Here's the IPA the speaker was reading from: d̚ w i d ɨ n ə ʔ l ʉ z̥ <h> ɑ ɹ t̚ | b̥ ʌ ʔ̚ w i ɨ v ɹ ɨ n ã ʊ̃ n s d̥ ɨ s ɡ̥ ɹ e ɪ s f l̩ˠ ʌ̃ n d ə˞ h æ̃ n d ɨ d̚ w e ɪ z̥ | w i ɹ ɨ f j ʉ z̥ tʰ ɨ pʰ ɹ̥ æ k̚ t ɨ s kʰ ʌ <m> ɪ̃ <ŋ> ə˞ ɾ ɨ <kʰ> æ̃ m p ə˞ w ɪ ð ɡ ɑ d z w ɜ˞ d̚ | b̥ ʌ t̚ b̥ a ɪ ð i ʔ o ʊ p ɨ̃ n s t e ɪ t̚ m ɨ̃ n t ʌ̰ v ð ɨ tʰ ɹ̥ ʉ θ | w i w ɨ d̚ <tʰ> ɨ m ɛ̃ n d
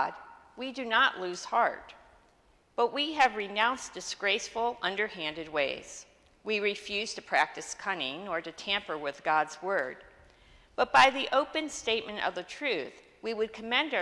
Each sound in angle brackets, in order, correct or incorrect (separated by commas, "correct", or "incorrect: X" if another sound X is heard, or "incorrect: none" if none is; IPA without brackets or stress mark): correct, incorrect: n, correct, incorrect: tʰ, incorrect: kʰ